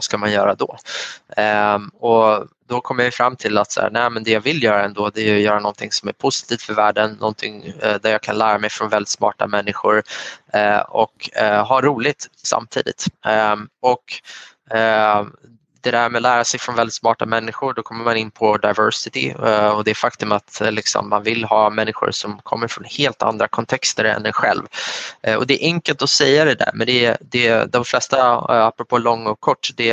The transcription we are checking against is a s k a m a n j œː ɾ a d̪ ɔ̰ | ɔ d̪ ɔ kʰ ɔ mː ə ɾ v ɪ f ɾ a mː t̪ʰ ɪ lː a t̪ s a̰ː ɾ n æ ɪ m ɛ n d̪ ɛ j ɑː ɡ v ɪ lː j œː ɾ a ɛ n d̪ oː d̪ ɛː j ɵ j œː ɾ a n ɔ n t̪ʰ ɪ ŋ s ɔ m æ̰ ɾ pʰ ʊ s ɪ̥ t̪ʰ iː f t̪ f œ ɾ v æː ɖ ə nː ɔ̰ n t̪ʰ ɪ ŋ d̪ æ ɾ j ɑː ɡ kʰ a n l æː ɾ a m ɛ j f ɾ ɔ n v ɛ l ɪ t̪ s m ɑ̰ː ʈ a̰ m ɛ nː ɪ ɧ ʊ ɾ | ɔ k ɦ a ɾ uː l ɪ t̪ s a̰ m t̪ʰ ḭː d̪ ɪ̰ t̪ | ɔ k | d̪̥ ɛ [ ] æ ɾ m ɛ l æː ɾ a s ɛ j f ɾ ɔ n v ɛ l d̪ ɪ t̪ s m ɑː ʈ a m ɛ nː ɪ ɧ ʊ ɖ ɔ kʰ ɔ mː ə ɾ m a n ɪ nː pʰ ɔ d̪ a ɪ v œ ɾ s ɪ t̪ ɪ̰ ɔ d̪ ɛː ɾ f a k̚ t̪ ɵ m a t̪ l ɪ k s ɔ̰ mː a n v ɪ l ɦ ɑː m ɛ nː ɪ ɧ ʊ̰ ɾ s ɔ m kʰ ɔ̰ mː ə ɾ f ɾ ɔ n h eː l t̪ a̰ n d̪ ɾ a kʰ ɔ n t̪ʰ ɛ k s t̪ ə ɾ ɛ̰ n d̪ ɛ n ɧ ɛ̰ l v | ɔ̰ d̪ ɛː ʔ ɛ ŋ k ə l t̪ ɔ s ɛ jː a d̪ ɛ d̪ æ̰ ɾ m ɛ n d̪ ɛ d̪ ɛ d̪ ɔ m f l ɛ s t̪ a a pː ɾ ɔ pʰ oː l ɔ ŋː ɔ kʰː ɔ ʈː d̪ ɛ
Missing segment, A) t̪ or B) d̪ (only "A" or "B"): B